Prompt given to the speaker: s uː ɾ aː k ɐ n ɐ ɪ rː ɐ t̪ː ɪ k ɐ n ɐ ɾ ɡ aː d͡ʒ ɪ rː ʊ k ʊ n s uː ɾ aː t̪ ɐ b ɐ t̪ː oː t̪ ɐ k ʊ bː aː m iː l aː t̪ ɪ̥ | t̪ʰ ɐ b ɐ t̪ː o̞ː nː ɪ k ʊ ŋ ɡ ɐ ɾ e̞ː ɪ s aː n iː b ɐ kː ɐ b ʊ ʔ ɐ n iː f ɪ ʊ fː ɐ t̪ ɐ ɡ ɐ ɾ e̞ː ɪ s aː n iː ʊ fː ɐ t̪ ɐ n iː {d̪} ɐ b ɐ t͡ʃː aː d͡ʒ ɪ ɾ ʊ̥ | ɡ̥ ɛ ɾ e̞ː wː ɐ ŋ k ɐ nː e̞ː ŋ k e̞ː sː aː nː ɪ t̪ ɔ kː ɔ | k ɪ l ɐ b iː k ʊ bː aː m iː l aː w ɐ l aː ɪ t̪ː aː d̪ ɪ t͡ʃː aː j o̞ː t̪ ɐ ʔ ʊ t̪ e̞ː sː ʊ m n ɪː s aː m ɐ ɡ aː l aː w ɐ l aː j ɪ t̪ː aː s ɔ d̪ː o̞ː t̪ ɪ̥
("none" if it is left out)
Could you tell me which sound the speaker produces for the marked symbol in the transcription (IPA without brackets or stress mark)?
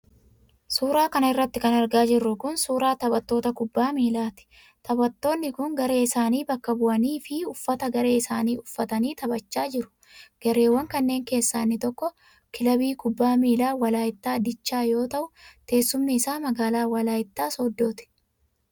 t̪